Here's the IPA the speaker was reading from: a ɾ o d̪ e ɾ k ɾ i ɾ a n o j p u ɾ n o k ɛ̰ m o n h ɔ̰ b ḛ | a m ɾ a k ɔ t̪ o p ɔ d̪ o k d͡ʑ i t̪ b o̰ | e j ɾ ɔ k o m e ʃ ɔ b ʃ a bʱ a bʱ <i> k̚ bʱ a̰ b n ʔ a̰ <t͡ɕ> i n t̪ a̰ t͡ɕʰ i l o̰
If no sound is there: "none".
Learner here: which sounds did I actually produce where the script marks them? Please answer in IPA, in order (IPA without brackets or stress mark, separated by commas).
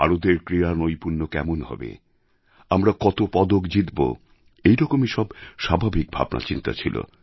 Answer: i, t͡ɕ